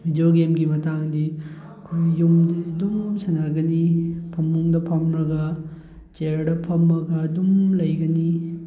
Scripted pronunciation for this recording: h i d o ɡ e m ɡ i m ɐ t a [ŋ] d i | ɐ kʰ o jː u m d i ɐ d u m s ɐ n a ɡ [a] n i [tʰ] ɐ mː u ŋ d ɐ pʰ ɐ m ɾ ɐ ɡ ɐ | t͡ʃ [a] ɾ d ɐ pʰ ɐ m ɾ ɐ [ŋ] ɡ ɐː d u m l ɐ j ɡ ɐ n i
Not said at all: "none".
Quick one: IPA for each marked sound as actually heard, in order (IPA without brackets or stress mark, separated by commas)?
ŋ, ɐ, pʰ, e, none